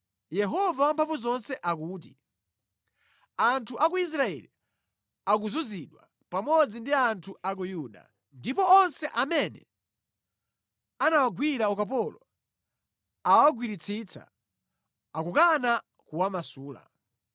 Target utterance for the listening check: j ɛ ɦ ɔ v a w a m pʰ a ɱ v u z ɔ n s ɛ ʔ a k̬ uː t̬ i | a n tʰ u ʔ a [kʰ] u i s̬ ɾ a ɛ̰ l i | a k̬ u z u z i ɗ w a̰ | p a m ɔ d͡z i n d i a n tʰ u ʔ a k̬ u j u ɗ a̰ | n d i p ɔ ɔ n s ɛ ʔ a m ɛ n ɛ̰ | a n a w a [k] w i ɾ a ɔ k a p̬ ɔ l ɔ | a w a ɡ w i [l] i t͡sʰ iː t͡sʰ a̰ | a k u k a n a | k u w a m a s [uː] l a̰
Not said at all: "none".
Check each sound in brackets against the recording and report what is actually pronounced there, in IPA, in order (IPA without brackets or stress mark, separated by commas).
k, ɡ, ɾ, uː